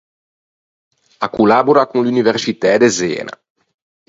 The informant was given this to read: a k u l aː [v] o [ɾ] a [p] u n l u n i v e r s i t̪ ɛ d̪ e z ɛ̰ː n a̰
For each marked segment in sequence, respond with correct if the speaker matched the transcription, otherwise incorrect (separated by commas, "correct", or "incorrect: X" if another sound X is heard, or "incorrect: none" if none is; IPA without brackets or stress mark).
incorrect: b, correct, incorrect: k